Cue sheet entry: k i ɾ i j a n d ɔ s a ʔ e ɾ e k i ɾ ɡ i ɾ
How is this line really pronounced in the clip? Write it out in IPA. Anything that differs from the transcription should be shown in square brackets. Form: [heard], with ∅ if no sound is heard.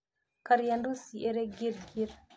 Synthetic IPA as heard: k [a] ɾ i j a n d [u] s [i] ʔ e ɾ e [ɡ] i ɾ ɡ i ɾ